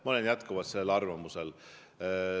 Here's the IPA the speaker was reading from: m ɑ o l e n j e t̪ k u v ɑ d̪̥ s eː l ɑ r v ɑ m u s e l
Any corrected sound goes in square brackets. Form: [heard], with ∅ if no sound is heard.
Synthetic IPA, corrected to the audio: m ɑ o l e n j [æ] t̪ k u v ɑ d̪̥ s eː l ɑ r v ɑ m u s e l